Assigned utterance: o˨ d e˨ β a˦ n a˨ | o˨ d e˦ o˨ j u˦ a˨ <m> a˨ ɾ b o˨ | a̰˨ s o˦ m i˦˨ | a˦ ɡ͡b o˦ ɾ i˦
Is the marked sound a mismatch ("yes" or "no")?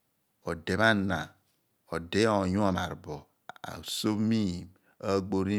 no